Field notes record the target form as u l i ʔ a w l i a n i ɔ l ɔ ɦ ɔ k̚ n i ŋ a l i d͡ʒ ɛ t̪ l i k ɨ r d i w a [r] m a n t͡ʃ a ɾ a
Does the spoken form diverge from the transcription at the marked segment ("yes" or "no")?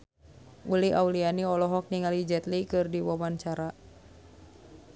yes